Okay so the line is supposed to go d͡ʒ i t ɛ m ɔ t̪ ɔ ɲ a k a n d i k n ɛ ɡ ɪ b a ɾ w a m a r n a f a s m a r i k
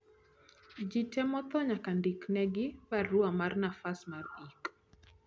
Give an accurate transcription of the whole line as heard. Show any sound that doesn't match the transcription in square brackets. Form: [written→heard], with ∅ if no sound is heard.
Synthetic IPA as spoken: d͡ʒ i t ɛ m ɔ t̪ ɔ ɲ a k a n d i k n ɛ ɡ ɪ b a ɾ [w→u] a m a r n a f a s m a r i k